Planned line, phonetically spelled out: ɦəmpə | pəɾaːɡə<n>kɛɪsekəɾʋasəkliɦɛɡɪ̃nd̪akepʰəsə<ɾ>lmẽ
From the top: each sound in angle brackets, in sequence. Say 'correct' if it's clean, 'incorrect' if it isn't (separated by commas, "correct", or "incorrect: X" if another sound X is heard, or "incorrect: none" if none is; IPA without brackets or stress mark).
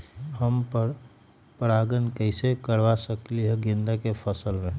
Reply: correct, incorrect: none